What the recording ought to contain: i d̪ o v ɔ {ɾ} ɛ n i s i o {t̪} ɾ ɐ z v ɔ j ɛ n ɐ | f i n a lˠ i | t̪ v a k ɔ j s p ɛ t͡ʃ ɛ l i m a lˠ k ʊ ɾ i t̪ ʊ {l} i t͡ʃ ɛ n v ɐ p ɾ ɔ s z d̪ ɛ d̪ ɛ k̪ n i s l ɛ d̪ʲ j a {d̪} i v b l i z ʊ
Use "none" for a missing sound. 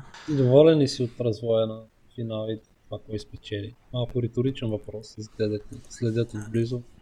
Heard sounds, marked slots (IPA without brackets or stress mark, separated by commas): l, t̪, ɾ, t̪